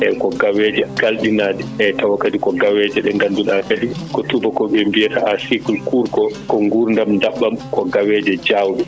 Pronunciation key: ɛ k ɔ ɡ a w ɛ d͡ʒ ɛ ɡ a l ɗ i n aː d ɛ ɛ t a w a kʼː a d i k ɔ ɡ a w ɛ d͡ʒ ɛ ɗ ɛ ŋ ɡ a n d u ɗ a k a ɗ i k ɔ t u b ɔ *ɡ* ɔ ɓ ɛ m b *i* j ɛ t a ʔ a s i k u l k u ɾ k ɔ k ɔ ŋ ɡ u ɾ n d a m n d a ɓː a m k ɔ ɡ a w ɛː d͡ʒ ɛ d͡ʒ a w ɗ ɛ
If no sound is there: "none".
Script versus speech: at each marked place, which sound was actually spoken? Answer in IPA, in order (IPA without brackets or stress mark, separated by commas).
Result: k, i